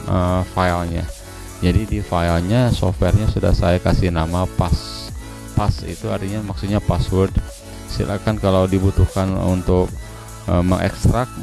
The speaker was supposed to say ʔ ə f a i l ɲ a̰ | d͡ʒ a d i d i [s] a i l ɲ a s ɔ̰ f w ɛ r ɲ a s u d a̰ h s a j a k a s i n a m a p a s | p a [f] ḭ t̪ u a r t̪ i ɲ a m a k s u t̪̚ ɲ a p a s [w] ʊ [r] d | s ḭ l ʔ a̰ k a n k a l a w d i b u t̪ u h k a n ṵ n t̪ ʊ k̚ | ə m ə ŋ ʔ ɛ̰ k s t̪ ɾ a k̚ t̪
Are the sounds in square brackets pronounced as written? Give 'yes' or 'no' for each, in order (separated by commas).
no, no, yes, yes